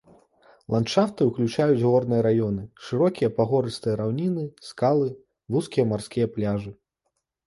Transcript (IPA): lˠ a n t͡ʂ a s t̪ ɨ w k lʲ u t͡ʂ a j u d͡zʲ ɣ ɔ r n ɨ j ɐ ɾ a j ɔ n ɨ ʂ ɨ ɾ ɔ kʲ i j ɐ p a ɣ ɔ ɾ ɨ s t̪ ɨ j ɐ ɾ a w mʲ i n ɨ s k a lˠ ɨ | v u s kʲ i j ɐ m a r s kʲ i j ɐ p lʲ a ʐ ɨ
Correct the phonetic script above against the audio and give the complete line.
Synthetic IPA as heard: lˠ a n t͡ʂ a f t̪ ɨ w k lʲ u t͡ʂ a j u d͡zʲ ɣ ɔ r n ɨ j ɐ ɾ a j ɔ n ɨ ʂ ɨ ɾ ɔ kʲ i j ɐ p a ɣ ɔ ɾ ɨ s t̪ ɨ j ɐ ɾ a w nʲ i n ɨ s k a lˠ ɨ | v u s kʲ i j ɐ m a r s kʲ i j ɐ p lʲ a ʐ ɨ

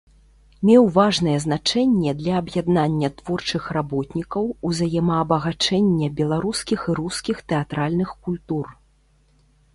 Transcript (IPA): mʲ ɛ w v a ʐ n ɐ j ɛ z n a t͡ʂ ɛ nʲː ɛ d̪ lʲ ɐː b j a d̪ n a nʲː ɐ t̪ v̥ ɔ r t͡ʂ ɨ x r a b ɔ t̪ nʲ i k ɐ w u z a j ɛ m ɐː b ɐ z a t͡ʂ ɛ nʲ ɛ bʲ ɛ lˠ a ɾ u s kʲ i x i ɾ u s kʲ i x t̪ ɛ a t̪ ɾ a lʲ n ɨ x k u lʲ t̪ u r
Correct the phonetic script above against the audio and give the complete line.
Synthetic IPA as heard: mʲ ɛ w v a ʐ n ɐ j ɛ z n a t͡ʂ ɛ nʲː ɛ d̪ lʲ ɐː b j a d̪ n a nʲː ɐ t̪ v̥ ɔ r t͡ʂ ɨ x r a b ɔ t̪ nʲ i k ɐ w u z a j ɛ m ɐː b ɐ ɣ a t͡ʂ ɛ nʲː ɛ bʲ ɛ lˠ a ɾ u s kʲ i x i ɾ u s kʲ i x t̪ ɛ a t̪ ɾ a lʲ n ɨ x k u lʲ t̪ u r

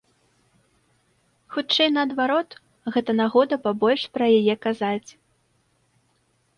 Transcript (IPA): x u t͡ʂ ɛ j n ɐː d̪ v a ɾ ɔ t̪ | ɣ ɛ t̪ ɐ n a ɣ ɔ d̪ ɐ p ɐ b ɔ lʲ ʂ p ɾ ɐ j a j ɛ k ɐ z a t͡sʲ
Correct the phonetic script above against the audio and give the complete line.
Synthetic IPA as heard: x u t͡ʂ ɛ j n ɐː d̪ v a ɾ ɔ t̪ | ɣ ɛ t̪ ɐ n a ɣ ɔ d̪ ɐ p a b ɔ lʲ ʂ p ɾ ɐ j a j ɛ k a z a t͡sʲ

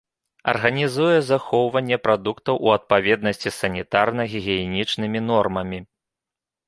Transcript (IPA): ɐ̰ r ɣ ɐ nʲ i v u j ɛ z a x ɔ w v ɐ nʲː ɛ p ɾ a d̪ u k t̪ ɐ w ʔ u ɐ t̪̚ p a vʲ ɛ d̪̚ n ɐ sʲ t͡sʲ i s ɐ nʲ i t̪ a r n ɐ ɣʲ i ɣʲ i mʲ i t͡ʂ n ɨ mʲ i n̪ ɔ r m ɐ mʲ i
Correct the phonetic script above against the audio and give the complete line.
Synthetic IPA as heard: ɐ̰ r ɣ ɐ nʲ i z u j ɛ z a x ɔ w v ɐ nʲː ɛ p ɾ a d̪ u k t̪ ɐ w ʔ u ɐ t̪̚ p a vʲ ɛ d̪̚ n ɐ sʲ t͡sʲ i s ɐ nʲ i t̪ a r n ɐ ɣʲ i ɣʲ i nʲ i t͡ʂ n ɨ mʲ i n̪ ɔ r m ɐ mʲ i

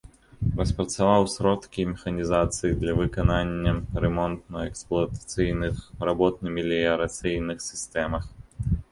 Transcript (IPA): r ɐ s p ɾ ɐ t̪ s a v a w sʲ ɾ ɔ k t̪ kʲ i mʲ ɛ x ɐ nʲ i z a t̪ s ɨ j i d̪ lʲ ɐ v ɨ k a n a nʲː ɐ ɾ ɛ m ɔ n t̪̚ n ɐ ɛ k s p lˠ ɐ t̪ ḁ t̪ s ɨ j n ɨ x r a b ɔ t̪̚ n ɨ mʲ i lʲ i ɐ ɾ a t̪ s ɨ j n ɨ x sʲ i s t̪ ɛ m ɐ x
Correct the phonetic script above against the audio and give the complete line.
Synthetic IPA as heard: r ɐ s p ɾ ɐ t̪ s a v a w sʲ ɾ ɔ t̪ kʲ i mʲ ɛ x ɐ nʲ i z a t̪ s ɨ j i d̪ lʲ ɐ v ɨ k a n a nʲː ɐ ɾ ɛ m ɔ n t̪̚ n ɐ ɛ k s p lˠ ɐ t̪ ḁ t̪ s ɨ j n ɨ x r a b ɔ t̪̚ n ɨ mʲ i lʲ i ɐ ɾ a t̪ s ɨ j n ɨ x sʲ i s t̪ ɛ m ɐ x

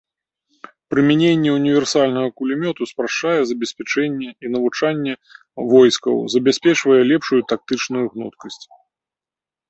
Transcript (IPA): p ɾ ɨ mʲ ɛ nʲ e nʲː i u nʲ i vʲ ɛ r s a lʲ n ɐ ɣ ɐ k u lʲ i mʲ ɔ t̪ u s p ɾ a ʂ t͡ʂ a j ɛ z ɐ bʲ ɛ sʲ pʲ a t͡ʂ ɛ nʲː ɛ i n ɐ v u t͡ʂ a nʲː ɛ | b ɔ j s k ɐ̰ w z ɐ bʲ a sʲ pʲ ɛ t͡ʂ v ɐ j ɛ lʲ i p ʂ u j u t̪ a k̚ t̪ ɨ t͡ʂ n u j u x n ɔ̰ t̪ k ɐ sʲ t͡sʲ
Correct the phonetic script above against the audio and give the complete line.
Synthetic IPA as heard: p ɾ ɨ mʲ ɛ nʲ e nʲː ɛ u nʲ i vʲ ɛ r s a lʲ n ɐ ɣ ɐ k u lʲ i mʲ ɔ t̪ u s p ɾ a ʂ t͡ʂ a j ɛ z ɐ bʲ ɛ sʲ pʲ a t͡ʂ ɛ nʲː ɛ i n ɐ v u t͡ʂ a nʲː ɛ | v ɔ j s k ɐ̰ w z ɐ bʲ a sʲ pʲ ɛ t͡ʂ v ɐ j ɛ lʲ ɛ p ʂ u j u t̪ a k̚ t̪ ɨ t͡ʂ n u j u ɣ n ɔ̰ t̪ k ɐ sʲ t͡sʲ

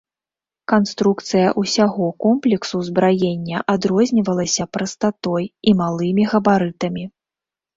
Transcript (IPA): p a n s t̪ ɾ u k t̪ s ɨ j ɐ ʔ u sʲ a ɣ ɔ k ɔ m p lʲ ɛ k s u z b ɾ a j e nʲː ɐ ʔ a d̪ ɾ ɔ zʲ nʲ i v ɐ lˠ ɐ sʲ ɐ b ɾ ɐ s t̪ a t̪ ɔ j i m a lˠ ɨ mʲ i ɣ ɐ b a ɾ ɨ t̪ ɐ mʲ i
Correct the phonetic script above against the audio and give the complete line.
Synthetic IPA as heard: k a n s t̪ ɾ u k t̪ s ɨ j ɐ ʔ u sʲ a ɣ ɔ k ɔ m p lʲ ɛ k s u z b ɾ a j e nʲː ɐ ʔ a d̪ ɾ ɔ zʲ nʲ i v ɐ lˠ ɐ sʲ ɐ p ɾ ɐ s t̪ a t̪ ɔ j i m a lˠ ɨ mʲ i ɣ ɐ b a ɾ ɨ t̪ ɐ mʲ i

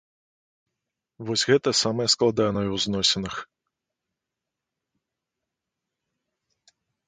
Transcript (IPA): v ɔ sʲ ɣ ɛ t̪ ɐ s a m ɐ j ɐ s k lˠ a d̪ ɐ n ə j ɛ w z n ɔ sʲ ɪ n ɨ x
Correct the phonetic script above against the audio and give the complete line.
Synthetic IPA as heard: v ɔ sʲ ɣ ɛ t̪ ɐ s a m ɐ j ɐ s k lˠ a d̪ a n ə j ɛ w z n ɔ sʲ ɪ n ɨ x

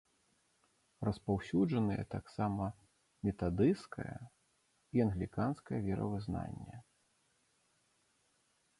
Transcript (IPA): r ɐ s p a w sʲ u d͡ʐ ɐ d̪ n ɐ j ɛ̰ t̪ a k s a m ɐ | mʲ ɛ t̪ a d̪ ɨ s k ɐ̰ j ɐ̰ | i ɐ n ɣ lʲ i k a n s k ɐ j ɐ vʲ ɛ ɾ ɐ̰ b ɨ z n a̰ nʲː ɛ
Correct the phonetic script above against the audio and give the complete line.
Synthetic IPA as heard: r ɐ s p a w sʲ u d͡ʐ ɐ n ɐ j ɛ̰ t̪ a k s a m ɐ | mʲ ɛ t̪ a d̪ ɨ s k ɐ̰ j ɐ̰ | i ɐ n ɣ lʲ i k a n s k ɐ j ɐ vʲ ɛ ɾ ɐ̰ v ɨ z n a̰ nʲː ɛ

